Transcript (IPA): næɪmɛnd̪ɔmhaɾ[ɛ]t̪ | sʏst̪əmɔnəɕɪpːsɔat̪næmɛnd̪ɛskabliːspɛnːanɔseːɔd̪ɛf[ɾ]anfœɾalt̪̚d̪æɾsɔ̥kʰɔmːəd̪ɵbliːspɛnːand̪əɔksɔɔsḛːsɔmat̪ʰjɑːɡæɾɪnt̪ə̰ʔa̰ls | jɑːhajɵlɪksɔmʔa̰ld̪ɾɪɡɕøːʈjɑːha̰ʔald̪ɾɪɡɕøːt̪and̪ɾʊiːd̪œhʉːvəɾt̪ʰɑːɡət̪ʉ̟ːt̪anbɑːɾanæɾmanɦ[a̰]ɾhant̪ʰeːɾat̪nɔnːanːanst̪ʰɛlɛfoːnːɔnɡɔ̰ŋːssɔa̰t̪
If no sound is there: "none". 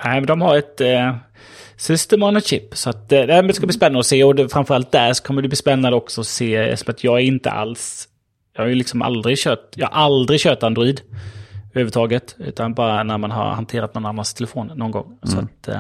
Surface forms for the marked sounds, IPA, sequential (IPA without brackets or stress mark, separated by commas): ɛ, ɾ, a̰